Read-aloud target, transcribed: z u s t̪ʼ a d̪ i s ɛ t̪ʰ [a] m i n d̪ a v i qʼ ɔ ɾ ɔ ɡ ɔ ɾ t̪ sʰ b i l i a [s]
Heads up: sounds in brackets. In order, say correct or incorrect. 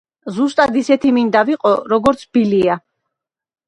incorrect, incorrect

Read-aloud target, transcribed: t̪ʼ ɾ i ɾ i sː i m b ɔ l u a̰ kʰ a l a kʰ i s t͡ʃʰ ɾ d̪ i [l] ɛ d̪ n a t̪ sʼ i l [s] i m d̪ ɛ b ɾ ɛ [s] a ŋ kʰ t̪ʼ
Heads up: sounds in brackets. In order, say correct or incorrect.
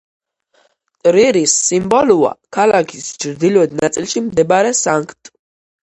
correct, incorrect, correct

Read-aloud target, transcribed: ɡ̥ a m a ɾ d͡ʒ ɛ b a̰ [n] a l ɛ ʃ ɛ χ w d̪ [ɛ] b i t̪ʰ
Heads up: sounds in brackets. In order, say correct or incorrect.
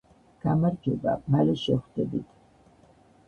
incorrect, correct

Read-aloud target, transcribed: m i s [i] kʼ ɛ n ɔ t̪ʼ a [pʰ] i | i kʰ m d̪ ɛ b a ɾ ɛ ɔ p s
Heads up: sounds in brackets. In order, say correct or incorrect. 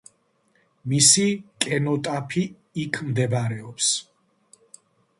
correct, correct

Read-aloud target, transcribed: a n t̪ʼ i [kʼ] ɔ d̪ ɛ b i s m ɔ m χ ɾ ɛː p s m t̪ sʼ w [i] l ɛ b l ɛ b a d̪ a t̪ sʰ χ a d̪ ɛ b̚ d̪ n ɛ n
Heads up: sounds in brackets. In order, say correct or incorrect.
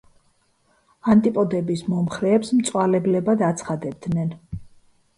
incorrect, incorrect

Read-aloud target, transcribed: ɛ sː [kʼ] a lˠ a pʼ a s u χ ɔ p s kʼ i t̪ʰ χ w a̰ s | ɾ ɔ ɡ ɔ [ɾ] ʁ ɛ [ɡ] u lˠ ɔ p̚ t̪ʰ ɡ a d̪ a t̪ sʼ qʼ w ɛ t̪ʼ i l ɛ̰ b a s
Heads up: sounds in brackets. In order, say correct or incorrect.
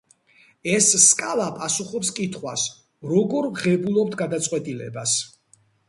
correct, correct, incorrect

